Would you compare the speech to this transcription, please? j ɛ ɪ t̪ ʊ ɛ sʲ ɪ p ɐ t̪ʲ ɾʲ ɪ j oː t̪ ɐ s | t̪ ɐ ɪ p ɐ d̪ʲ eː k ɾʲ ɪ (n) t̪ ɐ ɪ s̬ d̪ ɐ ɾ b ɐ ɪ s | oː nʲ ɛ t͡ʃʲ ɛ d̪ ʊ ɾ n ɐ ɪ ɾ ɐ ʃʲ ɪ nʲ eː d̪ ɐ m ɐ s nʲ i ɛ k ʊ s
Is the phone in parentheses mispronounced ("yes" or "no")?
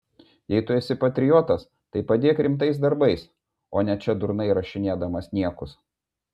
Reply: yes